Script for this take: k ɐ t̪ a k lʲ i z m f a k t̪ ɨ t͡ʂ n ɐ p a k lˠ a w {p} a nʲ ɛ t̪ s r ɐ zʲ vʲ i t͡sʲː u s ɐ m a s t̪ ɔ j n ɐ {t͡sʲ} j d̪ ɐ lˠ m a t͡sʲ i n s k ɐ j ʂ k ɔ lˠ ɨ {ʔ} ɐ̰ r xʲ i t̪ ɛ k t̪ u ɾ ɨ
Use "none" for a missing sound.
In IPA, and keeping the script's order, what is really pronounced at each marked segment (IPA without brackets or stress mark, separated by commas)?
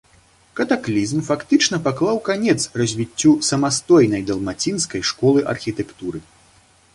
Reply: k, none, ʔ